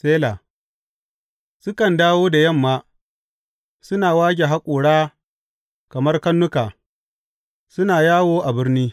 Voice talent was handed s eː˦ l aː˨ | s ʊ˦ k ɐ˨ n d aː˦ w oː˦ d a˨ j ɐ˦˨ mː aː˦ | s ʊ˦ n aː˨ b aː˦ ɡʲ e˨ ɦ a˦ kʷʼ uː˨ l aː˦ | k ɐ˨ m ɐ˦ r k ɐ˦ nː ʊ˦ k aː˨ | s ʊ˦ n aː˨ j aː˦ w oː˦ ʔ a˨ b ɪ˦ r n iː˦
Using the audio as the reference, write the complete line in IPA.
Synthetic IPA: s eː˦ l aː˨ | s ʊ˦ k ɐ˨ n d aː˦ w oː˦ d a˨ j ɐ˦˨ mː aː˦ | s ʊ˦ n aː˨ w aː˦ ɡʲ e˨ ɦ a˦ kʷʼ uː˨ ɽ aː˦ | k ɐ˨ m ɐ˦ r k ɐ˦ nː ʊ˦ k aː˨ | s ʊ˦ n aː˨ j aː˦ w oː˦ ʔ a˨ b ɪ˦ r n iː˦